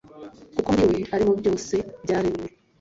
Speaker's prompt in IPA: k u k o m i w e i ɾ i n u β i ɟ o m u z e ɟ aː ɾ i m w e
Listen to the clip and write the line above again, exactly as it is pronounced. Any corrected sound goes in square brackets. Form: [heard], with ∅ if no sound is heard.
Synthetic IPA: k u k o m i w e [a] ɾ i [m] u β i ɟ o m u [s] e ɟ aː ɾ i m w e